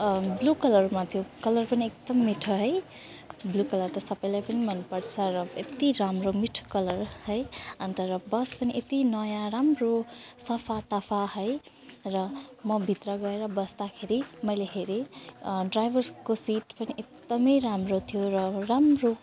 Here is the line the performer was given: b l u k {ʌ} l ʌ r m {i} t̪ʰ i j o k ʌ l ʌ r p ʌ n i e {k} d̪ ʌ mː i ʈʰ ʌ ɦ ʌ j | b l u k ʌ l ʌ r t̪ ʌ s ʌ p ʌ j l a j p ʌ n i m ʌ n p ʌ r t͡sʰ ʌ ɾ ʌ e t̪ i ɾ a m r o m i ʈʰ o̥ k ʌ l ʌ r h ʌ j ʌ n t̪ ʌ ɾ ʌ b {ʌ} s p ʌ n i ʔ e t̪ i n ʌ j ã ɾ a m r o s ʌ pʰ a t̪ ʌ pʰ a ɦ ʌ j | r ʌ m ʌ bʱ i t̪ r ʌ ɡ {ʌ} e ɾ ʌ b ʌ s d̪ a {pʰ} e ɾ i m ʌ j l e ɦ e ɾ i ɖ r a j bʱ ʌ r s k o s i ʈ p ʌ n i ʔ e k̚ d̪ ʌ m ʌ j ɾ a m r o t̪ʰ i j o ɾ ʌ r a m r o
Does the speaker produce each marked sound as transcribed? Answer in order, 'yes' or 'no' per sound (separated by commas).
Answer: yes, no, yes, yes, yes, no